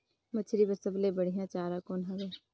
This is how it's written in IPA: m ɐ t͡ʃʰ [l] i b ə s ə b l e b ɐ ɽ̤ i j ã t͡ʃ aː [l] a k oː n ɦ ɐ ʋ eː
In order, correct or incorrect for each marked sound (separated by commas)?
incorrect, incorrect